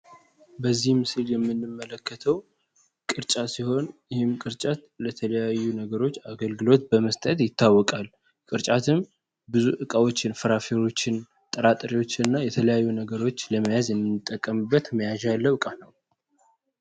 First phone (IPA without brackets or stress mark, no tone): b